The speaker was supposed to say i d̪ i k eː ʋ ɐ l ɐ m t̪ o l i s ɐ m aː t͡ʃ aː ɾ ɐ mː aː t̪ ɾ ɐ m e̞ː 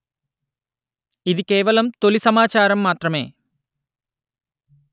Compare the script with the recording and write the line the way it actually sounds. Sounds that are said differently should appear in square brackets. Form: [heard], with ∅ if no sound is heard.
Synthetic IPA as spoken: i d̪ i k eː ʋ ɐ l ɐ m t̪ o l i s ɐ m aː t͡ʃ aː ɾ ɐ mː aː t̪ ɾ ɐ m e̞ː